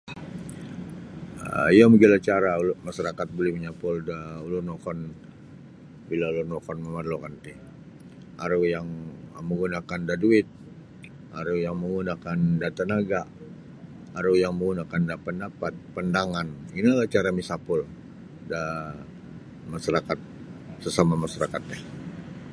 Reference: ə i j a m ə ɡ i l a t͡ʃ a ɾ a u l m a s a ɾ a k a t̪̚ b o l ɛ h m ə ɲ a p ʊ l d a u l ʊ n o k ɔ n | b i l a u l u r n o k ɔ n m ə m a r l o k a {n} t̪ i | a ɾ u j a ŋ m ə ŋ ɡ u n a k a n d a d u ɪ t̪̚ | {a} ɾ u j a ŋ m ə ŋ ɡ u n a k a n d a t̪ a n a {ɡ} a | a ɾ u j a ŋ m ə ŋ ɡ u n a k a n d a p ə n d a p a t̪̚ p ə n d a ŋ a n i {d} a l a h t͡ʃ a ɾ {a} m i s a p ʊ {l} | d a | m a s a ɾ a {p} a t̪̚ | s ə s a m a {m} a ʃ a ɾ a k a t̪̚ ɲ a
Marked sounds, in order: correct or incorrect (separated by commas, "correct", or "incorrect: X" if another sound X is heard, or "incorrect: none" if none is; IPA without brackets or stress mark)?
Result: correct, correct, correct, incorrect: n, correct, correct, incorrect: k, correct